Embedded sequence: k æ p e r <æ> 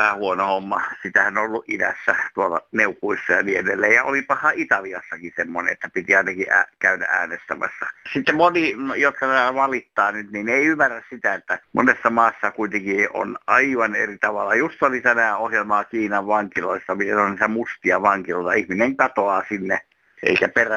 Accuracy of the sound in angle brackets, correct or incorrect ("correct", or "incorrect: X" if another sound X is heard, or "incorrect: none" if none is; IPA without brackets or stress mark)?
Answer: correct